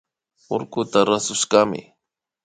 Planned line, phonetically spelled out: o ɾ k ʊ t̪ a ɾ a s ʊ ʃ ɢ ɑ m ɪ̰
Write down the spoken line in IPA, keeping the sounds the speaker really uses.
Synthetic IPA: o ɾ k ʊ t̪ a ɾ a s ʊ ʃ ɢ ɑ m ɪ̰

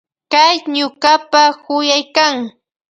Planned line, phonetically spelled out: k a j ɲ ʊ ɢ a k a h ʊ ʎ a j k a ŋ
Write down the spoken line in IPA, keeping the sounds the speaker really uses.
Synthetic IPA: k a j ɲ ʊ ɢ a p a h ʊ j a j k a ŋ

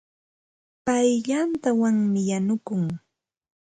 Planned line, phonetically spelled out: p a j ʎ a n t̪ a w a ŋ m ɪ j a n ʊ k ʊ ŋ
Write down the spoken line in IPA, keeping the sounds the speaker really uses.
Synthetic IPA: p a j ʎ a n t̪ a w a ŋ m ɪ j a n ʊ k ʊ ŋ

